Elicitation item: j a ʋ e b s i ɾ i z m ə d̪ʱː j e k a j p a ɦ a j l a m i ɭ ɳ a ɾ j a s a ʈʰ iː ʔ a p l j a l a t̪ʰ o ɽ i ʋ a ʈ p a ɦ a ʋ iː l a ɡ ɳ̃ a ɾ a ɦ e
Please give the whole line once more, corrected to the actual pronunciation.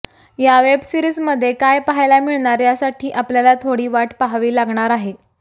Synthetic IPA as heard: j a ʋ e b s i ɾ i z m ə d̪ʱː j e k a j p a ɦ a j l a m i ɭ ɳ a ɾ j a s a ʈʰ iː ʔ a p l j a l a t̪ʰ o ɽ iː ʋ a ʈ p a ɦ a ʋ iː l a ɡ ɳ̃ a ɾ a ɦ e